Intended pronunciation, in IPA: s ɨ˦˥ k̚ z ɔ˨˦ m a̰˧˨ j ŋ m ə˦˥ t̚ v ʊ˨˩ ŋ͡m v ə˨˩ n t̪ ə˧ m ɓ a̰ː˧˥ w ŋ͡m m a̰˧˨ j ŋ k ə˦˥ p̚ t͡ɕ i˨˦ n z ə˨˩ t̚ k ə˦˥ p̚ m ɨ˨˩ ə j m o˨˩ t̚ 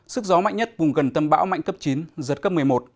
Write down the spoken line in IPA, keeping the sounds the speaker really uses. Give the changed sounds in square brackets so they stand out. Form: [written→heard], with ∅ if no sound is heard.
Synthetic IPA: s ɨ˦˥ k̚ z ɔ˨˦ m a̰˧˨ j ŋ [m→ɲ] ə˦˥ t̚ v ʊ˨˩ ŋ͡m [v→ɣ] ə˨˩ n t̪ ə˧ m ɓ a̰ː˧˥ w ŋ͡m m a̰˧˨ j ŋ k ə˦˥ p̚ t͡ɕ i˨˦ n z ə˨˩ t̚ k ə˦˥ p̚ m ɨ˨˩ ə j m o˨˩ t̚